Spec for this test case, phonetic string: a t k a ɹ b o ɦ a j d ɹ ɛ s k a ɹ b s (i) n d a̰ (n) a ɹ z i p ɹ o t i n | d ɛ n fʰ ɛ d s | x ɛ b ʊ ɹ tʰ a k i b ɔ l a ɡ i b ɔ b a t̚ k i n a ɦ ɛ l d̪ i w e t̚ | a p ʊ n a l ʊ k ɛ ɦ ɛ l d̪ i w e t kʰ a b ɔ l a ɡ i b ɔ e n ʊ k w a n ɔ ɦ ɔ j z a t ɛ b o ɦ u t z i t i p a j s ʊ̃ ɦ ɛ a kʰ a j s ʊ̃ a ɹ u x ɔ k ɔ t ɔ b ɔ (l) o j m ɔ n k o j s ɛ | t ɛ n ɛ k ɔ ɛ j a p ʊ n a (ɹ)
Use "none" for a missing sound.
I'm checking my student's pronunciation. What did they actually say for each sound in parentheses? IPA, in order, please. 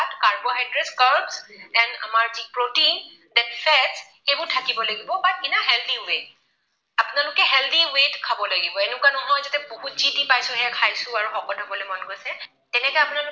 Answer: ɛ, m, l, l

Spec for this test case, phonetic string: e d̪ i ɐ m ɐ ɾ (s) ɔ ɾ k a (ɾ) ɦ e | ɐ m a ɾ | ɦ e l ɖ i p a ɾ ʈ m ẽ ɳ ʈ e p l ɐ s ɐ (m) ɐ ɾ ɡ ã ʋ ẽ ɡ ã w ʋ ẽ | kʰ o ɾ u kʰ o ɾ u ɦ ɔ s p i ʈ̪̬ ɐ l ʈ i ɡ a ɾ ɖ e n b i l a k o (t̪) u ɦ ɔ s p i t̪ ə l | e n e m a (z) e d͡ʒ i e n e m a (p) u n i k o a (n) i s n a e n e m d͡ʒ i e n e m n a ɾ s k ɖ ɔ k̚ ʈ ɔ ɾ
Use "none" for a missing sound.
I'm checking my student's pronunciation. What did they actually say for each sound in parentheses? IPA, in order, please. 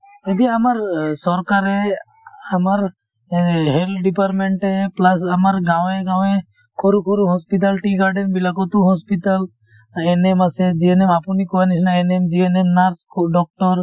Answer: s, ɾ, m, t̪, s, p, n

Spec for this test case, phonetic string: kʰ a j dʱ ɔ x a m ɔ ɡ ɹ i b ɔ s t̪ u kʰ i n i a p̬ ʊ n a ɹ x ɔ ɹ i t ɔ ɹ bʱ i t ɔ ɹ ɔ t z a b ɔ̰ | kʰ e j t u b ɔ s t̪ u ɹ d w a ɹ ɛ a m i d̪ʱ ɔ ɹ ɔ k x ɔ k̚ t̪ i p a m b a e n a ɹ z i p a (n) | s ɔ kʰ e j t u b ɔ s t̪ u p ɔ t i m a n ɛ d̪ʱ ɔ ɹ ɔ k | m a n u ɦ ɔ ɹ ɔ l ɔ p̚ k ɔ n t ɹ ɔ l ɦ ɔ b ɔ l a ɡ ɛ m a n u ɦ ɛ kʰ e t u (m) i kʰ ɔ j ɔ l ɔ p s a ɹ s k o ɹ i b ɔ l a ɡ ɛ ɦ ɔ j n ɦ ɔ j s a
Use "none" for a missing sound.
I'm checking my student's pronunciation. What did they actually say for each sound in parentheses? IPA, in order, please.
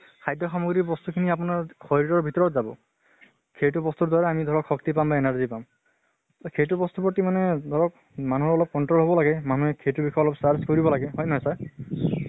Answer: m, b

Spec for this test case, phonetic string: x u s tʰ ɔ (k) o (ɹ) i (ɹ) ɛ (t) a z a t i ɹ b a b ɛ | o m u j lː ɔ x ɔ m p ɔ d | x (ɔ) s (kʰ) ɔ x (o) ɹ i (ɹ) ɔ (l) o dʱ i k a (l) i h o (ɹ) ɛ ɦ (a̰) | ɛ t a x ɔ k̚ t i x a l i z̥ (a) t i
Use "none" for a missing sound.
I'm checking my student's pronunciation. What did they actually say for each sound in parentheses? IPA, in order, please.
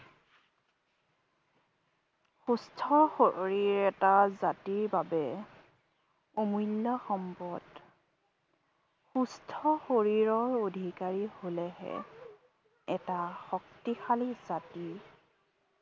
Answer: x, ɹ, ɹ, t, u, tʰ, o, ɹ, ɹ, ɹ, l, ɛ̰, a

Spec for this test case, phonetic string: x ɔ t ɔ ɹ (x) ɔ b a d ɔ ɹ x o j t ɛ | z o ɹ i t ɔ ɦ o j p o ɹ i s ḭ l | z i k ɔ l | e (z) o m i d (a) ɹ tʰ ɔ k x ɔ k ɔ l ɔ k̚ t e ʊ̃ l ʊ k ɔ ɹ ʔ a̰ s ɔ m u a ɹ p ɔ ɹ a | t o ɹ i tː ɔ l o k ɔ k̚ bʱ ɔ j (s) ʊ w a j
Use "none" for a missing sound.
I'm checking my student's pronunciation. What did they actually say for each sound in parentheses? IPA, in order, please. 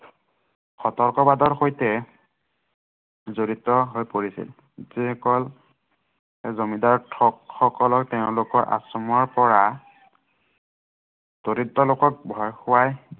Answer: k, z, a, x

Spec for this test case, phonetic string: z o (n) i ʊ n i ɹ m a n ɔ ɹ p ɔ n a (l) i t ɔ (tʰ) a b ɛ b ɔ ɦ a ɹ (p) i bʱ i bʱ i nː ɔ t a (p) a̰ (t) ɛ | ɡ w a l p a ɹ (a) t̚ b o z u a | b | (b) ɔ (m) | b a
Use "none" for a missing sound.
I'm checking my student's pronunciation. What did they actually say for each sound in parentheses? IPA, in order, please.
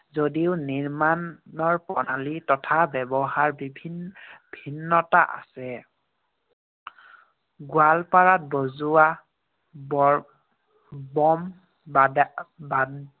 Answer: d, l, tʰ, b, ʔ, s, a, b, m

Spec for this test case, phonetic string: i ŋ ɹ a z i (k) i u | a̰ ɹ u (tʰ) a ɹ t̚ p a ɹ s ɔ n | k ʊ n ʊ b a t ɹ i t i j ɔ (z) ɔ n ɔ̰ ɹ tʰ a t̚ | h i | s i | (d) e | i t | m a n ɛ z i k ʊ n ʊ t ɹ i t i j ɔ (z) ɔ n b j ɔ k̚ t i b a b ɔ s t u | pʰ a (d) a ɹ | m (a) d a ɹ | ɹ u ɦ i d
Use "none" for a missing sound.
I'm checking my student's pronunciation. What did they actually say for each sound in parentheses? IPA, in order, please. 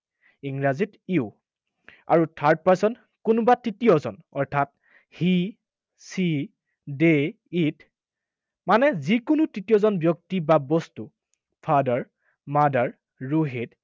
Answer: t, tʰ, z, d, z, d, a

